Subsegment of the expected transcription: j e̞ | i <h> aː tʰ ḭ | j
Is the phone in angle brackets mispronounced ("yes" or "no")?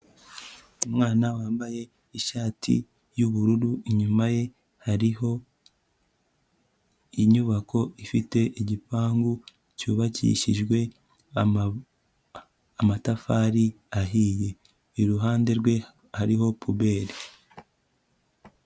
yes